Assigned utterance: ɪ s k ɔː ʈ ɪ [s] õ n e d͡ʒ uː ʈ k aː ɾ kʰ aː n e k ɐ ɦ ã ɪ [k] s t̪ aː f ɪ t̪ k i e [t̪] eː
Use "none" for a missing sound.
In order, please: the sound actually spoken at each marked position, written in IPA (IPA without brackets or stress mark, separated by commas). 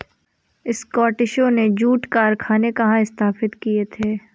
ʃ, none, t̪ʰ